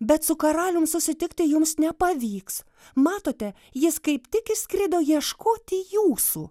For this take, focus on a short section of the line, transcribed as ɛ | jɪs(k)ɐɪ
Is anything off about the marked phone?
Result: no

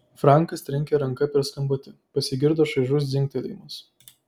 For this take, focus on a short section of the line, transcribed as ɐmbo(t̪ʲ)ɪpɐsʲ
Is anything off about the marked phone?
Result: no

